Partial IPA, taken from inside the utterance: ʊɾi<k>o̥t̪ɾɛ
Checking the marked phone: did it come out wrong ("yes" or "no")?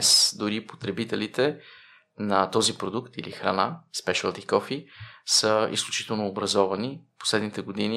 yes